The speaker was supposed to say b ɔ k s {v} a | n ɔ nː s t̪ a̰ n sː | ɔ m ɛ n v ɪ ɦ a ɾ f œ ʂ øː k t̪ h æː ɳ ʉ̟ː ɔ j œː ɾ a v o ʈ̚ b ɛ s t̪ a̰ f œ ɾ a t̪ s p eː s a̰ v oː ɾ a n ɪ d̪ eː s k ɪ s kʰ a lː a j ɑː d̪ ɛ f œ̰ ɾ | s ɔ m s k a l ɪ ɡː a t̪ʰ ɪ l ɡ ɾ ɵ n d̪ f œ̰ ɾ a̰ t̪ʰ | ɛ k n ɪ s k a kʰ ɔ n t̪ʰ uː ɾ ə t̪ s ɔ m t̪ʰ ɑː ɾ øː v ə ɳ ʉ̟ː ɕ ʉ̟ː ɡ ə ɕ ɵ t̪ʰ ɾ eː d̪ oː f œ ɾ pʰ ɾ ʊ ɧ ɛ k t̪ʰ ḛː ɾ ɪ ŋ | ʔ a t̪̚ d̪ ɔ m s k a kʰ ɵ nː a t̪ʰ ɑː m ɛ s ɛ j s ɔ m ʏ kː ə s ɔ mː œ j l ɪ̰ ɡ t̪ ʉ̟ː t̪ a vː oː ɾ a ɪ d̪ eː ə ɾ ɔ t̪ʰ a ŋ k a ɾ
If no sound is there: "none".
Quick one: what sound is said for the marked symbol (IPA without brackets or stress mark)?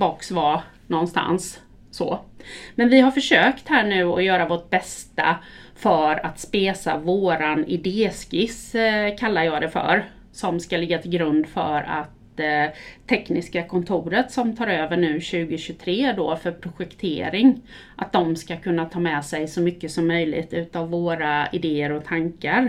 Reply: v